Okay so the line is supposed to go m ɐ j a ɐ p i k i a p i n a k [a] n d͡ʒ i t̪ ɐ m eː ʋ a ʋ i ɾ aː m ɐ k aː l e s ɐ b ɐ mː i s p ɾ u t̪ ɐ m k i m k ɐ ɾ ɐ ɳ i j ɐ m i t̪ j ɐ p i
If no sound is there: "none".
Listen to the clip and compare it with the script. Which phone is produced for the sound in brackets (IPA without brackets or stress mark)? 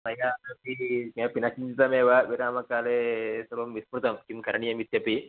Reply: i